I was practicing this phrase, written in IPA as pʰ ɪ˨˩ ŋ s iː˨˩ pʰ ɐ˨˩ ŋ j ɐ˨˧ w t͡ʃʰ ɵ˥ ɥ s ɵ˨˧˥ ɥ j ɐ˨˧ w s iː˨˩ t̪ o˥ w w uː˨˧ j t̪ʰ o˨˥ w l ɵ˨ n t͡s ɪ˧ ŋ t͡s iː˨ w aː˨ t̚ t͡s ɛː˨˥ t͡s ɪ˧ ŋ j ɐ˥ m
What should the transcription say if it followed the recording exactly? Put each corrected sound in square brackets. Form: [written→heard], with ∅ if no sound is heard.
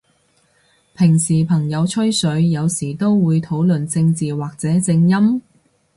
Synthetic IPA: pʰ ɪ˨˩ ŋ s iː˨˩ pʰ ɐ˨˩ ŋ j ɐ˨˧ w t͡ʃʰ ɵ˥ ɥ s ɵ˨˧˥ ɥ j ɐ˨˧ w s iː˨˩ t̪ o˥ w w uː˨˧ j t̪ʰ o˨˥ w l ɵ˨ n t͡s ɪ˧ ŋ t͡s iː˨ w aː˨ [t̚→k̚] t͡s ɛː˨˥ t͡s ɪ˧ ŋ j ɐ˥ m